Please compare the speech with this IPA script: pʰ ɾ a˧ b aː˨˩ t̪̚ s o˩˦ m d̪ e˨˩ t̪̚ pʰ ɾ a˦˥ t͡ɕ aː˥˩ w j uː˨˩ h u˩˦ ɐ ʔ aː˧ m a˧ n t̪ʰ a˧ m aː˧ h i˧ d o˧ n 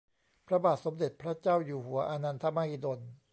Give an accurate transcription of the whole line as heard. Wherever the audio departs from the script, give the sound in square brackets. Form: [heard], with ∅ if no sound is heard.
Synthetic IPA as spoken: pʰ ɾ a˧ b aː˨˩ t̪̚ s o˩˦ m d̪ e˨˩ t̪̚ pʰ ɾ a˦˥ t͡ɕ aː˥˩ w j uː˨˩ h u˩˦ ɐ ʔ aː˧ [n] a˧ n t̪ʰ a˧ m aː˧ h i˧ d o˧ n